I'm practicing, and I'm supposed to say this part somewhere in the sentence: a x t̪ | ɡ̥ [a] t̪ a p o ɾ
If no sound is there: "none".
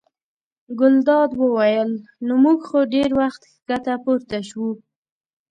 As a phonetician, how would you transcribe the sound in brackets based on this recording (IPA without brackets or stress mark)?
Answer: a